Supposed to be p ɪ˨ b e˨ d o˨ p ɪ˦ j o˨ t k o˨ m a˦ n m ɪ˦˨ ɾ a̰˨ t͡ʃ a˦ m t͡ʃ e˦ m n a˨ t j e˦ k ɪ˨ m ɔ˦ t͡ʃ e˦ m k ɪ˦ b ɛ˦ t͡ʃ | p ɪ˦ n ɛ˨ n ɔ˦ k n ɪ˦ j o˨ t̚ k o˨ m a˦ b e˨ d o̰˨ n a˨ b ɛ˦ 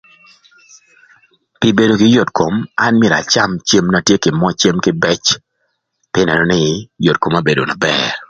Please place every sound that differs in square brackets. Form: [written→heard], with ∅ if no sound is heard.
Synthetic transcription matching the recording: p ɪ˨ b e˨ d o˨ [p→k] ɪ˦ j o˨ t k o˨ m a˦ n m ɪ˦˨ ɾ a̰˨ t͡ʃ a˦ m t͡ʃ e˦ m n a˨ t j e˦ k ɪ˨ m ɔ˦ t͡ʃ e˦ m k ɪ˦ b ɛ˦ t͡ʃ | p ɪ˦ n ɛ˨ n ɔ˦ [k→∅] n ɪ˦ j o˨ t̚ k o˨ m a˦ b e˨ d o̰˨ n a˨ b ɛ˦